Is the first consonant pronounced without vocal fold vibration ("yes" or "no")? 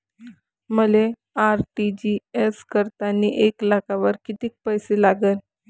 no